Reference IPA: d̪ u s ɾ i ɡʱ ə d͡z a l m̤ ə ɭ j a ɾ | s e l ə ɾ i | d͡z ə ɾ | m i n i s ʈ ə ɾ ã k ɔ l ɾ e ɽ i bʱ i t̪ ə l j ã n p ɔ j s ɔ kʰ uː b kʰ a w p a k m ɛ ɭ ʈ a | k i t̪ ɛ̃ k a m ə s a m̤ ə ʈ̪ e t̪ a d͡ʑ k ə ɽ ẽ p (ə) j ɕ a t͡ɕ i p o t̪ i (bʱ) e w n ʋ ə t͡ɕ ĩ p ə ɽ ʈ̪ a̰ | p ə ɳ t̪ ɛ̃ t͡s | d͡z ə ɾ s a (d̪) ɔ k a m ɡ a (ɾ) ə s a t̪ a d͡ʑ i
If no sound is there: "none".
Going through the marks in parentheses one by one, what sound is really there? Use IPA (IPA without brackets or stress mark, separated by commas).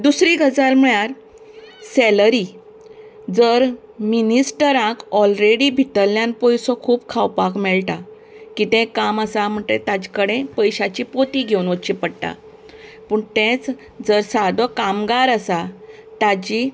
ə, ɡʱ, d̪, ɾ